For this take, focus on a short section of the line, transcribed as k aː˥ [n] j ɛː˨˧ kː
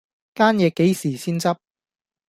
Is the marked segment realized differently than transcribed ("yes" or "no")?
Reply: no